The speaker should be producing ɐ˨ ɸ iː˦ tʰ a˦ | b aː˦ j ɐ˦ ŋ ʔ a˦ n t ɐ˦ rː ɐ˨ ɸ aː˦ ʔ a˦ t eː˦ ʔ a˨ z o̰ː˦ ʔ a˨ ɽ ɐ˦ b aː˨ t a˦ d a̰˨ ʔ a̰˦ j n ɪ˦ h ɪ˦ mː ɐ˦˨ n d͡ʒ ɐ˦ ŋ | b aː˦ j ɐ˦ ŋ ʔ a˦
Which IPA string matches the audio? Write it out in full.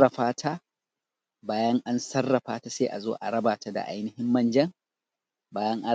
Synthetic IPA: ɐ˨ ɸ aː˦ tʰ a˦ | b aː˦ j ɐ˦ ŋ ʔ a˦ n s ɐ˦ rː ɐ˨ ɸ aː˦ t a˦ s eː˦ ʔ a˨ z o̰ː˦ ʔ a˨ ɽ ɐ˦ b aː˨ t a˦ d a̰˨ ʔ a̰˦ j n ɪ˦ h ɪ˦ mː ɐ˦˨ n d͡ʒ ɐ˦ ŋ | b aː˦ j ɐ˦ ŋ ʔ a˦